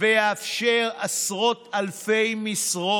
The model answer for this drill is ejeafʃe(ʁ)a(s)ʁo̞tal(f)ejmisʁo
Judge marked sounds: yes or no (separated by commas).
yes, yes, yes